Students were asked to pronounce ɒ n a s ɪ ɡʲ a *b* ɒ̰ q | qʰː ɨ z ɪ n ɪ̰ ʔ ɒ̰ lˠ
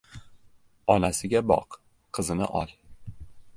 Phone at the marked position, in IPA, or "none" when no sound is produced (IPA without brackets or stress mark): b